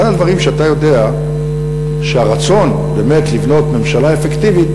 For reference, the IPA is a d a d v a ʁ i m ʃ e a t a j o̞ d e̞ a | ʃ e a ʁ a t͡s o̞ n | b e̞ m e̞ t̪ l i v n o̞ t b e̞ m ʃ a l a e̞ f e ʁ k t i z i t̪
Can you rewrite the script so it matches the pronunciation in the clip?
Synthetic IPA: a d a d v a ʁ i m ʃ e a t a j o̞ d e̞ a | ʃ e a ʁ a t͡s o̞ n | b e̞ m e̞ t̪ l i v n o̞ t m e̞ m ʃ a l a e̞ f e k t i v i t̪